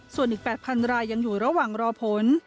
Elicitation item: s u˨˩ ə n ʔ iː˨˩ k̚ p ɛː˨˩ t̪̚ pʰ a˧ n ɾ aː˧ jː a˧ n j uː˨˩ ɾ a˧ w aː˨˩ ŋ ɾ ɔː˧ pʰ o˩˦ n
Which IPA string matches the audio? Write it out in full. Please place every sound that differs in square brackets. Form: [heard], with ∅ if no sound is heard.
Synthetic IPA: s u˨˩ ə n ʔ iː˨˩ k̚ p ɛː˨˩ t̪̚ pʰ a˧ n ɾ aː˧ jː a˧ [ŋ] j uː˨˩ ɾ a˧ w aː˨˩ ŋ ɾ ɔː˧ pʰ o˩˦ n